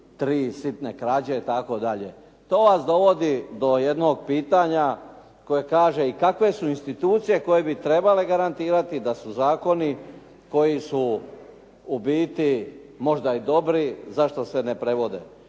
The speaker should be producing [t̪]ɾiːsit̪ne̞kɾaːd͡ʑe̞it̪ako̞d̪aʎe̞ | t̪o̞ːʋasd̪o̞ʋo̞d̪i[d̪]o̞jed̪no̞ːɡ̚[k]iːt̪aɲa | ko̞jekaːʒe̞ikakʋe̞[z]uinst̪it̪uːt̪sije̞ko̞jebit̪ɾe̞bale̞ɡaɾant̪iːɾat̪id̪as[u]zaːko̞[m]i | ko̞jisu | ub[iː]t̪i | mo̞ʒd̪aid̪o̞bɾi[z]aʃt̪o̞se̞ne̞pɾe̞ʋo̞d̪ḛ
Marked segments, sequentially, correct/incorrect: correct, correct, incorrect: p, incorrect: s, correct, incorrect: n, correct, correct

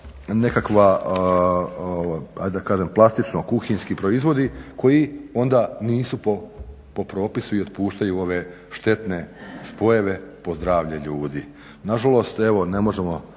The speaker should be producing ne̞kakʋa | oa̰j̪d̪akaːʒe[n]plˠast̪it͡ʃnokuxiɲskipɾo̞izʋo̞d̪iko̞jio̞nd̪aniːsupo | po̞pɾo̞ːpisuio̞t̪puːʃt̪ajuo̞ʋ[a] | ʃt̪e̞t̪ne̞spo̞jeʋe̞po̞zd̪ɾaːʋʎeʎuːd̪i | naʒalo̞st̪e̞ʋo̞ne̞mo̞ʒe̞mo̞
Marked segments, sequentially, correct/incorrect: incorrect: m, incorrect: e

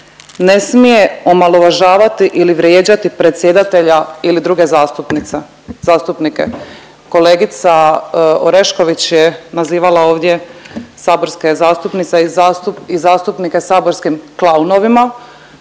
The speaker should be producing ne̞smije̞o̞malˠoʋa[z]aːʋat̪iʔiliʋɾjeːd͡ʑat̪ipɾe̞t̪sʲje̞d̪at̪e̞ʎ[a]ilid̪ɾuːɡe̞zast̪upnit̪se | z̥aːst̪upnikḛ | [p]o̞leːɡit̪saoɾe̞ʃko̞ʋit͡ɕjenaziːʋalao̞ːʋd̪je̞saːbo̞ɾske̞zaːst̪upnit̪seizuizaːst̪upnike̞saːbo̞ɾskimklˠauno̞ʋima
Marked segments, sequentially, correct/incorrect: incorrect: ʒ, correct, incorrect: k

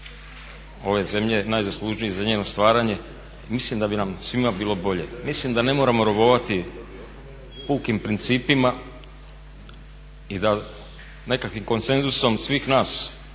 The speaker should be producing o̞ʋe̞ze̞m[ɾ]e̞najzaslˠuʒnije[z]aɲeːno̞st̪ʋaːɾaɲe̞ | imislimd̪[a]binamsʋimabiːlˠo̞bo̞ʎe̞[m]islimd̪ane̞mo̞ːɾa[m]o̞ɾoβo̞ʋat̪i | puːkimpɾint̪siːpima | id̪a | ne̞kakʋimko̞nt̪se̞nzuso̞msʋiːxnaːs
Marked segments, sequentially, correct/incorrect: incorrect: ʎ, correct, correct, correct, correct

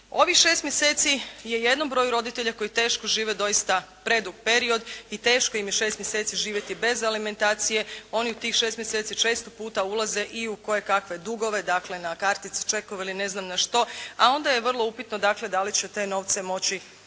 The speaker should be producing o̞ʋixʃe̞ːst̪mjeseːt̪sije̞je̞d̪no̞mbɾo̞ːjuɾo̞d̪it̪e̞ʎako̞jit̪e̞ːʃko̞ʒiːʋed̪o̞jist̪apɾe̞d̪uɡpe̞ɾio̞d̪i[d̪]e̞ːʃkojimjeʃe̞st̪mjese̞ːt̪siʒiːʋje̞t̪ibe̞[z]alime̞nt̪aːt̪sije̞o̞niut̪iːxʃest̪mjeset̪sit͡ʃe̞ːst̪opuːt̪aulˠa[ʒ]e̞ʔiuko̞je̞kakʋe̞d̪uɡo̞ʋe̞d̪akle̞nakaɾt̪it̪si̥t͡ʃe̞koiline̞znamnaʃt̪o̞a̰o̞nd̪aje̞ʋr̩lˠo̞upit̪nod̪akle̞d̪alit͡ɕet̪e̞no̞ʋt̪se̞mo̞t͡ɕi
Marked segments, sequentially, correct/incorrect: incorrect: t̪, correct, incorrect: z

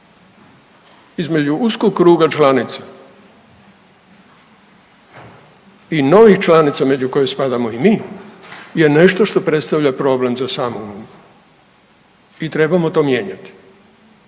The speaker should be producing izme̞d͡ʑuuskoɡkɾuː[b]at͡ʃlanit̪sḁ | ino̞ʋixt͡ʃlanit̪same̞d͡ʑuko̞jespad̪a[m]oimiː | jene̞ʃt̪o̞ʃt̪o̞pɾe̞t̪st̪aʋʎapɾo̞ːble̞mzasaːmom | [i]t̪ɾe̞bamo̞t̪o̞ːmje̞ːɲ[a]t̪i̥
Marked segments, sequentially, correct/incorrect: incorrect: ɡ, correct, correct, correct

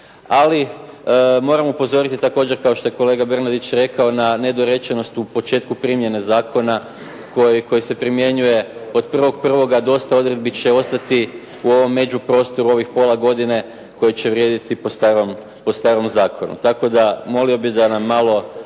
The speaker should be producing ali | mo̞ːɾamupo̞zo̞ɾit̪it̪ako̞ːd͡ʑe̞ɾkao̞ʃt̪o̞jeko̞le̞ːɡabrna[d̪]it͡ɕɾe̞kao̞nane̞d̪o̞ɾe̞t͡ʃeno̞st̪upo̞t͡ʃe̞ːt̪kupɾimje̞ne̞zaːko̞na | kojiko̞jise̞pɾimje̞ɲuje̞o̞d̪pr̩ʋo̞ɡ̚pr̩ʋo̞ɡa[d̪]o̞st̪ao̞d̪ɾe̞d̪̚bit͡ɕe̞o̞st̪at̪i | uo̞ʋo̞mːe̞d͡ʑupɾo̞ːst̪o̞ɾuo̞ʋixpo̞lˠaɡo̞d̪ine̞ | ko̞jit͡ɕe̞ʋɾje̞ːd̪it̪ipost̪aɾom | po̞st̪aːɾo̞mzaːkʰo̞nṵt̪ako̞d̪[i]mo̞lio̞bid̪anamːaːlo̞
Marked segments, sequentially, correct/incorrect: correct, correct, incorrect: a

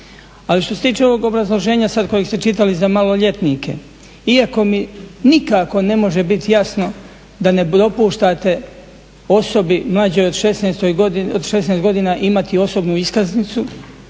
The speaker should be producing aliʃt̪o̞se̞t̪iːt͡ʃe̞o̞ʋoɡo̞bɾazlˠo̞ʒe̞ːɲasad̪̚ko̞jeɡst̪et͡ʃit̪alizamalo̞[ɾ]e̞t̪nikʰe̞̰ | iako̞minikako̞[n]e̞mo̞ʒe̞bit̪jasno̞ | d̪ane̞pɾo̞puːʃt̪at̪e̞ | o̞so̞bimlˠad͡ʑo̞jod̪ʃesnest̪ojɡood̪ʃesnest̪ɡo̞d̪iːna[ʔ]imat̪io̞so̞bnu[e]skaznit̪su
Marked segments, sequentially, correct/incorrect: incorrect: ʎ, correct, correct, incorrect: i

